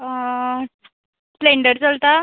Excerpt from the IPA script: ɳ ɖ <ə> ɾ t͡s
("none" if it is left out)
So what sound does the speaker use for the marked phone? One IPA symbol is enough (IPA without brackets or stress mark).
ə